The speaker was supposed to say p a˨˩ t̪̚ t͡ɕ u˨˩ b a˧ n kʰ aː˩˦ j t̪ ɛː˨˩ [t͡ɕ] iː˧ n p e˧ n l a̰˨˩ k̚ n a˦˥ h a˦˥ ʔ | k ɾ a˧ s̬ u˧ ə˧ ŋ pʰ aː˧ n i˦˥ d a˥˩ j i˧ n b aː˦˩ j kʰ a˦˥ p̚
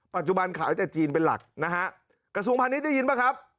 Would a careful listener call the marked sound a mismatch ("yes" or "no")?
no